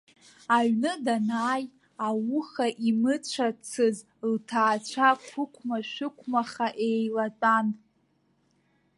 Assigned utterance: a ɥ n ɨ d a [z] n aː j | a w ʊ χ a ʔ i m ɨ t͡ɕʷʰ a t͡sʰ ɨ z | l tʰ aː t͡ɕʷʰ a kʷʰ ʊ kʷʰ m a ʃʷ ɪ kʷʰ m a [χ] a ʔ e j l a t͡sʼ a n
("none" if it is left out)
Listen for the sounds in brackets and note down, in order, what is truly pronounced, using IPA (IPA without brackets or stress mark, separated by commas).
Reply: none, χ